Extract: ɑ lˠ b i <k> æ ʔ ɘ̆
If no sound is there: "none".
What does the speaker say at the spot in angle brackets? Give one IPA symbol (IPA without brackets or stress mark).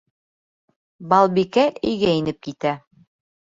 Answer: k